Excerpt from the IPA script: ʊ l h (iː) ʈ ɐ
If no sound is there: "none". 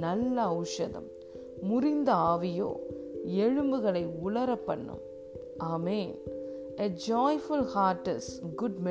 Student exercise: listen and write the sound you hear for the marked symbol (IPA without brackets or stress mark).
aː